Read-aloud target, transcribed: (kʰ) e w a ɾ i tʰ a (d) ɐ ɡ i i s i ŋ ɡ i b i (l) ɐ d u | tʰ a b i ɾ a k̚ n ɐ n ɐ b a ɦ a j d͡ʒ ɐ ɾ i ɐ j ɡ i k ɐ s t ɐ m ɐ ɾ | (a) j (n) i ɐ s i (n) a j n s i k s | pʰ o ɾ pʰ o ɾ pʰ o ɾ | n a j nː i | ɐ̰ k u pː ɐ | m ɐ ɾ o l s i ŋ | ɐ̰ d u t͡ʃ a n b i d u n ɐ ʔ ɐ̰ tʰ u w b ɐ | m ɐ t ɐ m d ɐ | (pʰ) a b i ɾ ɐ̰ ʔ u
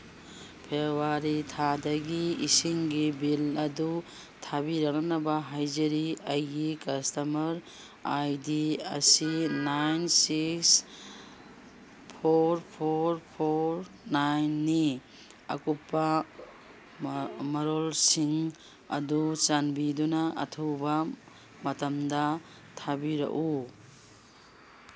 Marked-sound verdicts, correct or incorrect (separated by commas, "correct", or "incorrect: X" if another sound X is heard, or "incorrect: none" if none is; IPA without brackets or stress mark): incorrect: pʰ, correct, correct, correct, incorrect: d, correct, incorrect: tʰ